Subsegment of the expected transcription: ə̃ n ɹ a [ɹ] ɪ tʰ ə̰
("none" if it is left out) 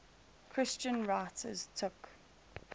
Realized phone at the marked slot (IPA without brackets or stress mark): none